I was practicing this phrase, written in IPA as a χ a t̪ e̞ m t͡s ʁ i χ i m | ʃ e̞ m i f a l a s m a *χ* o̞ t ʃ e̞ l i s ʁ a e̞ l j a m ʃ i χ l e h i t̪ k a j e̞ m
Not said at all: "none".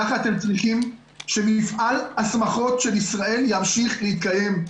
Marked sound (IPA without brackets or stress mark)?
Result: χ